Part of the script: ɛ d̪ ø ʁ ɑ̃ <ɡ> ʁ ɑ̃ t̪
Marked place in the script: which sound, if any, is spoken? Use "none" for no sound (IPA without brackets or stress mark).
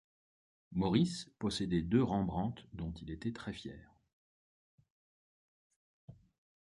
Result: b